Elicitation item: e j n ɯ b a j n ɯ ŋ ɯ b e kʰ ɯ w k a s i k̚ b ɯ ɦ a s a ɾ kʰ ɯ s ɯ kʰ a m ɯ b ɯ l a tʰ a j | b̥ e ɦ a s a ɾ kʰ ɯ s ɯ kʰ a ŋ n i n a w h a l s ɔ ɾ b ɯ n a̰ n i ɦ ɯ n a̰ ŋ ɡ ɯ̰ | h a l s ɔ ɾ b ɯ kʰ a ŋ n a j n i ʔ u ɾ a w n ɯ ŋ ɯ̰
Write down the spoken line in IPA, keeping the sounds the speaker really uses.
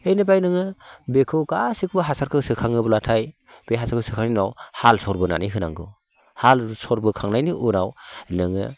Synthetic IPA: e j n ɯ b a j n ɯ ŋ ɯ b e kʰ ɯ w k a s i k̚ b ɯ ɦ a s a ɾ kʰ ɯ s ɯ kʰ a ŋ ɯ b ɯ l a tʰ a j | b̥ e ɦ a s a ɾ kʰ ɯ s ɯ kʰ a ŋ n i n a w h a l s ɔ ɾ b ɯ n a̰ n i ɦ ɯ n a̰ ŋ ɡ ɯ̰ | h a l s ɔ ɾ b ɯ kʰ a ŋ n a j n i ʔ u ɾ a w n ɯ ŋ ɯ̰